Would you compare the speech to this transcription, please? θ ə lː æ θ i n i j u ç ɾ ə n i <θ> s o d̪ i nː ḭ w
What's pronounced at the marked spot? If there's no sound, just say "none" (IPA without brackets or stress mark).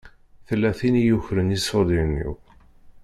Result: none